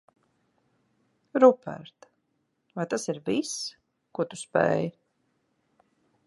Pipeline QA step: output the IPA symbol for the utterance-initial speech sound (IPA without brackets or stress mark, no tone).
ɾ